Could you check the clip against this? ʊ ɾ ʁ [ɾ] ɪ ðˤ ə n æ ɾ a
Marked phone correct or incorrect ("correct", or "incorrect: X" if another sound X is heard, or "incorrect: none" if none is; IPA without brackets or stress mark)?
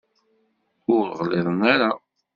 incorrect: l